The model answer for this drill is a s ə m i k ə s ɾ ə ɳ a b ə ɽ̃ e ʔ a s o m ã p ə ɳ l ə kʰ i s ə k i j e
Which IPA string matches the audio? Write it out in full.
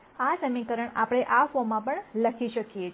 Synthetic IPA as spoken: a s ə m i k ə ɾ ə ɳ a p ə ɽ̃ e ʔ a f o m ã p ə ɳ l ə kʰ i ʃ ə k i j e